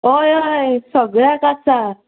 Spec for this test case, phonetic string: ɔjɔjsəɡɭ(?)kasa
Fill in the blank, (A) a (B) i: A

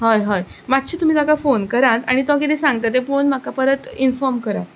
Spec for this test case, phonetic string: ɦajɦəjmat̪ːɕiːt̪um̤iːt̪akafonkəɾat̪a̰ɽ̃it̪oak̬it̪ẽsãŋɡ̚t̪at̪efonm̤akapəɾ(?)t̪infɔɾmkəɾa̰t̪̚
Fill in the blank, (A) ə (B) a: A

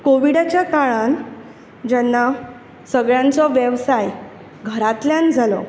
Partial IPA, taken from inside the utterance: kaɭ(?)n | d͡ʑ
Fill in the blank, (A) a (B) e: A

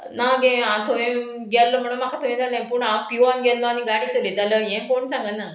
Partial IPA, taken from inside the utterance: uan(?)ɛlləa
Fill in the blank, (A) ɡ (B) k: A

